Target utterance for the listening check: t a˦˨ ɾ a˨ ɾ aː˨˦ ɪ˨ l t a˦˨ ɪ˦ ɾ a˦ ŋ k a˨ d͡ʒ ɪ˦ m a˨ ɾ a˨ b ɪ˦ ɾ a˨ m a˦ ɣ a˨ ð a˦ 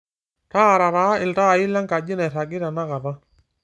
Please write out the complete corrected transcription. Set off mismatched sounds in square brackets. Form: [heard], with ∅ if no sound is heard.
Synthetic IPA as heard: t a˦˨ ɾ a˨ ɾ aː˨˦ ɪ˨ l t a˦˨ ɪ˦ [l] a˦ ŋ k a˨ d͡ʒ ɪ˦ [n] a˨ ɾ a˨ [ɡ] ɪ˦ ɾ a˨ [n] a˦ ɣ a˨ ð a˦